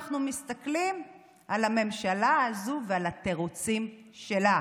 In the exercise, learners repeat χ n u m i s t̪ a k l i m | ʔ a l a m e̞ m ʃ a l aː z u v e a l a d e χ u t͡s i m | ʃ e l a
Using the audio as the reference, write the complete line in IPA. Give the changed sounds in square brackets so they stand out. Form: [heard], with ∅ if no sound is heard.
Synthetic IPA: χ n u m i s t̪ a k l i m | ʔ a l a m e̞ m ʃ a l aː z u v e a l a [t] e [ʁ] u t͡s i m | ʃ e l a